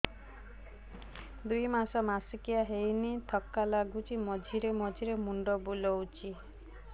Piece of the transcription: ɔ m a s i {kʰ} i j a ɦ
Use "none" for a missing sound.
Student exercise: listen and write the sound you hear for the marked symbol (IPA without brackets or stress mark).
k